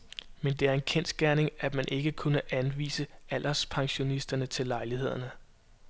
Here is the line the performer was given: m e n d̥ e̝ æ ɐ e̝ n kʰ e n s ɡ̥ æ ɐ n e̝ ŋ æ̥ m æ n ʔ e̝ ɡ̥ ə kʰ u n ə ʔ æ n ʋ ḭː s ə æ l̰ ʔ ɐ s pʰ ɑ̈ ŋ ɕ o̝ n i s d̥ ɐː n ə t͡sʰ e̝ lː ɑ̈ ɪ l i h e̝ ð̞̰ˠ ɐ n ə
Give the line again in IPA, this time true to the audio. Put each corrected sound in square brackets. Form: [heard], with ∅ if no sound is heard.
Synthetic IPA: m e n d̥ e̝ æ ɐ e̝ n kʰ e n s ɡ̥ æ ɐ n e̝ ŋ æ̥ m æ n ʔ e̝ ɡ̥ ə kʰ u n ə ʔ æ n ʋ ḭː s ə æ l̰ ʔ ɐ s pʰ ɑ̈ ŋ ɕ o̝ n i s d̥ [ɐ] n ə t͡sʰ e̝ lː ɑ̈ ɪ l i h e̝ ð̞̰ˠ ɐ n ə

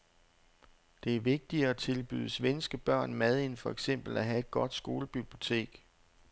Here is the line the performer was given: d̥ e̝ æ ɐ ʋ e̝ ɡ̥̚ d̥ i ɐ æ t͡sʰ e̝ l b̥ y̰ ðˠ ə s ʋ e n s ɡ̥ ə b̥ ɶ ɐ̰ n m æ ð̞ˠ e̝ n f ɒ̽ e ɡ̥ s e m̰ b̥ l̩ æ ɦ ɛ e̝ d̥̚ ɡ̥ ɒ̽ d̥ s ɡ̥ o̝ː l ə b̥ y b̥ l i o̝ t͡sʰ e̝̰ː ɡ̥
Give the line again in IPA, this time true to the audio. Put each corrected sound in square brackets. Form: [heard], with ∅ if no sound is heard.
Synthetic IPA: d̥ e̝ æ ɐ ʋ e̝ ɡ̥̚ d̥ i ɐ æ t͡sʰ e̝ l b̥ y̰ ðˠ ə s ʋ e n s ɡ̥ ə b̥ ɶ ɐ̰ n m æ ð̞ˠ e̝ n f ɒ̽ e ɡ̥ s e m̰ b̥ l̩ æ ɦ [æ] e̝ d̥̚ ɡ̥ ɒ̽ d̥ s ɡ̥ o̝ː l ə b̥ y b̥ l i o̝ t͡sʰ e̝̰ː ɡ̥

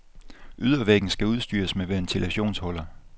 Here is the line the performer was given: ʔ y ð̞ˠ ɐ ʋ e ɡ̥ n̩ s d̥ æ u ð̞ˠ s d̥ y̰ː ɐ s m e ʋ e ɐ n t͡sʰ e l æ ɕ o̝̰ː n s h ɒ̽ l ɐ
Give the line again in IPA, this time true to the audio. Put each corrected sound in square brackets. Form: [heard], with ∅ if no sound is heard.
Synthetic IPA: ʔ y ð̞ˠ ɐ ʋ e ɡ̥ n̩ s [ɡ̥] æ u ð̞ˠ s d̥ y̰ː ɐ s m e ʋ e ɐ n t͡sʰ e l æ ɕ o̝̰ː n s h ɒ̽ l ɐ

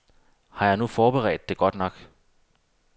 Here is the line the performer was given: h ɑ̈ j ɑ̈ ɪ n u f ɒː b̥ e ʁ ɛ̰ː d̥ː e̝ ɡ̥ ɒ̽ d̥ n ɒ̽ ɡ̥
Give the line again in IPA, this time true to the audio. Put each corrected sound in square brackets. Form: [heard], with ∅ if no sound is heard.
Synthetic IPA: h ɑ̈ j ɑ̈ ɪ n u f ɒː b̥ e ʁ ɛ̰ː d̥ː e̝ ɡ̥ ɒ̽ d̥ n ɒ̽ ɡ̥

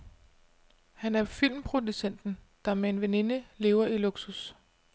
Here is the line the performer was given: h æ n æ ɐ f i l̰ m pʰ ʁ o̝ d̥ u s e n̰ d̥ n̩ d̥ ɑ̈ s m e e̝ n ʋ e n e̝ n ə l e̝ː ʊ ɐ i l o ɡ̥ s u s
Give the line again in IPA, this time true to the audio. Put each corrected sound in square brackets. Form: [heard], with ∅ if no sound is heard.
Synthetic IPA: h æ n æ ɐ f i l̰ m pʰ ʁ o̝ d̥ u s e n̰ d̥ n̩ d̥ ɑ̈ [∅] m e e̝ n ʋ e n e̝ n ə l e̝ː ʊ ɐ i l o ɡ̥ s u s

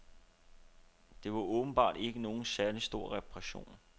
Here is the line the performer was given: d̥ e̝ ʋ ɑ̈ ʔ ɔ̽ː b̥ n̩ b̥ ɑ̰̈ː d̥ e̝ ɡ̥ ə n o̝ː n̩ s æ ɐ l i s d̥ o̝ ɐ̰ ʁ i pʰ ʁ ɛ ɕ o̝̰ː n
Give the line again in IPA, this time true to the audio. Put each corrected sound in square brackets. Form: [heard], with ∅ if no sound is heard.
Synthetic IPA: d̥ e̝ ʋ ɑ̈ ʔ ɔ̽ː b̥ n̩ b̥ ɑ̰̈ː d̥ e̝ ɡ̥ ə n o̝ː n̩ s æ ɐ l i s d̥ o̝ ɐ̰ ʁ [ɛ] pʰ ʁ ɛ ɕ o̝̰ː n

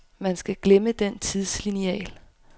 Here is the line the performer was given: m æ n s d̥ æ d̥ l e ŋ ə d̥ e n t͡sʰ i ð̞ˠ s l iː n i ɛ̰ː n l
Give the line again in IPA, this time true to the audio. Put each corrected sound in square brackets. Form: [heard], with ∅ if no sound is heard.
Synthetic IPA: m æ n s [ɡ̥] æ [ɡ̥] l e [m] ə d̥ e n t͡sʰ i ð̞ˠ s l [i] n i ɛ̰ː [∅] l

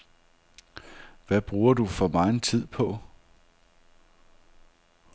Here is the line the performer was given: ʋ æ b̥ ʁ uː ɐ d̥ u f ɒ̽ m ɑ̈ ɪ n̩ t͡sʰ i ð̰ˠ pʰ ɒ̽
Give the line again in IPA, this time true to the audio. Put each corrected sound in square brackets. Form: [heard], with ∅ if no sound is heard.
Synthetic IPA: ʋ æ b̥ ʁ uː ɐ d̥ u f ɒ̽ m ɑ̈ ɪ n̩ t͡sʰ i ð̰ˠ pʰ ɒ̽

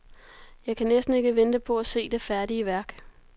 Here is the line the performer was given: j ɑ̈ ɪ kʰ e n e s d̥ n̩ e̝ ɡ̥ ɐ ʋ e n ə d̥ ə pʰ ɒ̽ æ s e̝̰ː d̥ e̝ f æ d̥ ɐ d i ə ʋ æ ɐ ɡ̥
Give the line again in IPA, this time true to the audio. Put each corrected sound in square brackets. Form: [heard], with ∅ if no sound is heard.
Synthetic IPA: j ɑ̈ ɪ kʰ [æ] n e s d̥ n̩ e̝ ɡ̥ [ə] ʋ e n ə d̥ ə pʰ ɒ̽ æ s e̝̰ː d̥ e̝ f æ [∅] ɐ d i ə ʋ æ ɐ ɡ̥

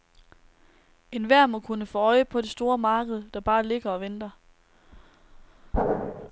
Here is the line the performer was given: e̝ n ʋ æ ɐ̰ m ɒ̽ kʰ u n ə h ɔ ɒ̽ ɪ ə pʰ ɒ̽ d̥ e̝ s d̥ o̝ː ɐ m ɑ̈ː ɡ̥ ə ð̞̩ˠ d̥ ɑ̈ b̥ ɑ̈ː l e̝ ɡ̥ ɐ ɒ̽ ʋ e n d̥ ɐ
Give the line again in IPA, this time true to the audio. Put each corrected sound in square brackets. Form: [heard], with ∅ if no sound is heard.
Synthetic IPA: e̝ n ʋ æ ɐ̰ m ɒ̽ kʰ u n ə [f] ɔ ɒ̽ ɪ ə pʰ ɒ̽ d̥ e̝ s d̥ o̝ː ɐ m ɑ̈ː ɡ̥ ə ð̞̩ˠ d̥ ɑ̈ b̥ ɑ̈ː l e̝ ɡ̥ ɐ ɒ̽ ʋ e n d̥ ɐ

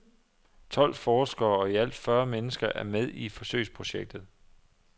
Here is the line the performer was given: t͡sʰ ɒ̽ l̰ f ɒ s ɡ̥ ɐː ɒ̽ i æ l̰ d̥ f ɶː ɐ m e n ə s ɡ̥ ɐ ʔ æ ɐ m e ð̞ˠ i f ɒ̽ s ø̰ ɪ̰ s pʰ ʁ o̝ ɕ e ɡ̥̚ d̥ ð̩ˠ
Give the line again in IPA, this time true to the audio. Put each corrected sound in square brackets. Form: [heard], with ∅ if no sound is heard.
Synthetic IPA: t͡sʰ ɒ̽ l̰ f [ɒː] s ɡ̥ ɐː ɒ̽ i æ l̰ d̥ f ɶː ɐ m e n ə s ɡ̥ ɐ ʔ æ ɐ m e ð̞ˠ i f ɒ̽ s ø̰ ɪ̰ s pʰ ʁ o̝ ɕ e ɡ̥̚ d̥ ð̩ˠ

